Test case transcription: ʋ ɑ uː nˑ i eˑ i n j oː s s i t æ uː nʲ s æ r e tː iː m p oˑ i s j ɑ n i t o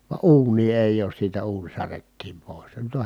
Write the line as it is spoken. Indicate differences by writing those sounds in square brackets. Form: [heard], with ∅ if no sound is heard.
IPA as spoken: ʋ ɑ uː nˑ [iː] eˑ i [∅] j oː s s [iː] t æ uː nʲ s æ r e tː iː m p oˑ i s j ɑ n [y] t o